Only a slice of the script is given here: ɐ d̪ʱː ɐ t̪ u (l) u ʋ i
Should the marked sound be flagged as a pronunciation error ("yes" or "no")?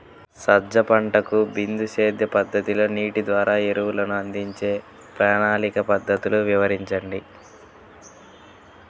no